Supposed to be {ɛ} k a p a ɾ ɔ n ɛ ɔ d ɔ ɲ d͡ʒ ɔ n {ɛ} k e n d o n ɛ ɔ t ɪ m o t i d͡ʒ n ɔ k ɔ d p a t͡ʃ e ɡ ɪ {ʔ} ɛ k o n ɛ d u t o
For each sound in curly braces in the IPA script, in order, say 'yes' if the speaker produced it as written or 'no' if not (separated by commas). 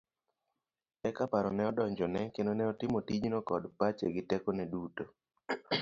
yes, yes, no